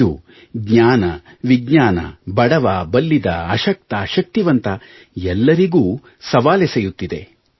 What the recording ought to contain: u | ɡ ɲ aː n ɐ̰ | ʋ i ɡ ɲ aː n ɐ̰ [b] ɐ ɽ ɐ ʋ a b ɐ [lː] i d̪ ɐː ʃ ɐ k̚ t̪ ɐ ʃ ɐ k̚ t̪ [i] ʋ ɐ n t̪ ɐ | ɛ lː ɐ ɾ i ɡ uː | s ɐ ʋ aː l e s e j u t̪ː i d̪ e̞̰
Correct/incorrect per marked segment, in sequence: correct, correct, correct

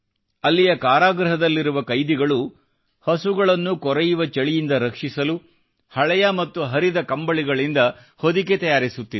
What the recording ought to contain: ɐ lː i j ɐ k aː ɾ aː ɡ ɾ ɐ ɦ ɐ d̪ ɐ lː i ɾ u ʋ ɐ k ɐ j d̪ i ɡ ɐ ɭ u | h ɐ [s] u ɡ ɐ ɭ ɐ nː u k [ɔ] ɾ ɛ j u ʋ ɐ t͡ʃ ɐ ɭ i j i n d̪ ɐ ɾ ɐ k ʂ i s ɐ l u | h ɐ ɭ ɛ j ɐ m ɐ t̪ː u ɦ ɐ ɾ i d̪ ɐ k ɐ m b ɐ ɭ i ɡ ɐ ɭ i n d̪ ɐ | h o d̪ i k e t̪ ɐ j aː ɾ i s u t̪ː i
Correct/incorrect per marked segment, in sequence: correct, correct

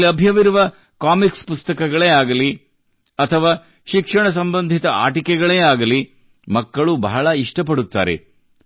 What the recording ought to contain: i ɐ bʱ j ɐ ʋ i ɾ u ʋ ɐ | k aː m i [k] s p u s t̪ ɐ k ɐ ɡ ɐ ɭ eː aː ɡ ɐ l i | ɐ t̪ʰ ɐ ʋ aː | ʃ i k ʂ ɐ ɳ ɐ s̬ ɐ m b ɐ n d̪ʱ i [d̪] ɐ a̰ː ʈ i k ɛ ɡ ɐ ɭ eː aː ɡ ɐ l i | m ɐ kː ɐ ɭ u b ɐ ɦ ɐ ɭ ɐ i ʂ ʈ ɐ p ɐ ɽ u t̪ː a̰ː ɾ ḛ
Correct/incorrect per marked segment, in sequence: correct, incorrect: t̪

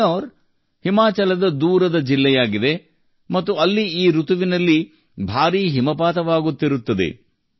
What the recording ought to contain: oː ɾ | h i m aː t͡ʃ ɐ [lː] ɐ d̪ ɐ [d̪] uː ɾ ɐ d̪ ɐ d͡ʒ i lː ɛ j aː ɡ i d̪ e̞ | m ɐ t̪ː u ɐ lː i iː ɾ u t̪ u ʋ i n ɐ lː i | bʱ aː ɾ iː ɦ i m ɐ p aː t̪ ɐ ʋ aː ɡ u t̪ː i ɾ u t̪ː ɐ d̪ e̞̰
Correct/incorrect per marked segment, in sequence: incorrect: l, correct

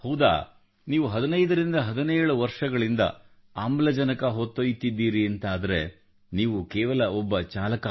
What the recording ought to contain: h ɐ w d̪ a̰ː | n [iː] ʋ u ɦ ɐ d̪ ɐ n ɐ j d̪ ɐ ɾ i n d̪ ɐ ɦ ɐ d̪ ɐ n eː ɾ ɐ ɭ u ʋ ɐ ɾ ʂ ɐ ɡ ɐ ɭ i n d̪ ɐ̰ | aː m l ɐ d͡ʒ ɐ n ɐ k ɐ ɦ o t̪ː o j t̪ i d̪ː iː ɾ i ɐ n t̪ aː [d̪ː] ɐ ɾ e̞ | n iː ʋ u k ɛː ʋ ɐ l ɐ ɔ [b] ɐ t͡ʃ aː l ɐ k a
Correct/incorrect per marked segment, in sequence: correct, incorrect: d̪, incorrect: bː

